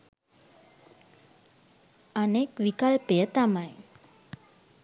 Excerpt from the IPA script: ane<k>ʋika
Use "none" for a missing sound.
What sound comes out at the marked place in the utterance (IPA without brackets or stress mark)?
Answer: k